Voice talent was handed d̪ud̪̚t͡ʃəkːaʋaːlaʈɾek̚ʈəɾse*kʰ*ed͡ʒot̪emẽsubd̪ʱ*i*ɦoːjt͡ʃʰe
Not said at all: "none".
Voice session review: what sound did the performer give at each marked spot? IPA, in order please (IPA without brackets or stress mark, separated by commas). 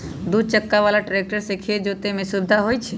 kʰ, a